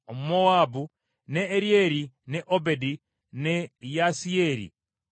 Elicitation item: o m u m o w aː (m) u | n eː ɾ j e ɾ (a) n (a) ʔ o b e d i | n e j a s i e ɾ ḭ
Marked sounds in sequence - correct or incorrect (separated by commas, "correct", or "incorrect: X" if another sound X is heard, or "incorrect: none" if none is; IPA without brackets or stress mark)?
incorrect: b, incorrect: i, incorrect: e